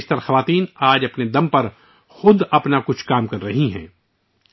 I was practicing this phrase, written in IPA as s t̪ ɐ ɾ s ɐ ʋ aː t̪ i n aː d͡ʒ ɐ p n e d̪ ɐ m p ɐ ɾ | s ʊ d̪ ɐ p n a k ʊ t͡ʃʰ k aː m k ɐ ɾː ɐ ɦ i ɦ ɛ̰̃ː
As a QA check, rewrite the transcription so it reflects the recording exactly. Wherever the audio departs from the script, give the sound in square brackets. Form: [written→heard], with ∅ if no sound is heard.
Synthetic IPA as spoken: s t̪ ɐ ɾ [s→x] ɐ ʋ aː t̪ [i→iː] n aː d͡ʒ ɐ p n e d̪ ɐ m p ɐ ɾ | [s→x] ʊ d̪ ɐ p n a k ʊ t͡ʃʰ k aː m k ɐ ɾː ɐ ɦ i ɦ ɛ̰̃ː